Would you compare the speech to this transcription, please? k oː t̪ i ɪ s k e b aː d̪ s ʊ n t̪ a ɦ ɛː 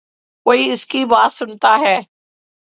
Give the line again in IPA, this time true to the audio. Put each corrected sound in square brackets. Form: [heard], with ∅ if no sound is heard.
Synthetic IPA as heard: k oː [∅] i ɪ s k [i] b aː [t̪] s ʊ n t̪ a ɦ ɛː